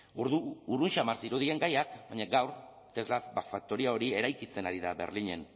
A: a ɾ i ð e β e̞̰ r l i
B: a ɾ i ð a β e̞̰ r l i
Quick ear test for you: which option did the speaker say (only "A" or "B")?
B